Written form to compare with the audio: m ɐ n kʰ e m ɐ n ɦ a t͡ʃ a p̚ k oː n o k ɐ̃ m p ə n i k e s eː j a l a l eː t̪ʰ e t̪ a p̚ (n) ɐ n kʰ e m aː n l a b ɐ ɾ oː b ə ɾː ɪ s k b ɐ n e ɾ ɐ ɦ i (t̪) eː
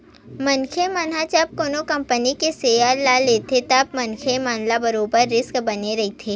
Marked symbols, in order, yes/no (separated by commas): no, no